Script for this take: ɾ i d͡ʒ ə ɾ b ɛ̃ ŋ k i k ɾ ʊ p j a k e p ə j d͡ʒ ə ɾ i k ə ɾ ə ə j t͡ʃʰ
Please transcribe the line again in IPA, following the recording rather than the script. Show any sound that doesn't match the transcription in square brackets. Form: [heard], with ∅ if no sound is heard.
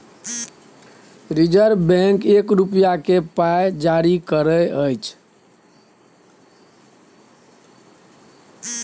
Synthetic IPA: ɾ i d͡ʒ ə ɾ b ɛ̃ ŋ k [e] k ɾ [u] p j a k e p [a] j d͡ʒ [a] ɾ i k ə ɾ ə ə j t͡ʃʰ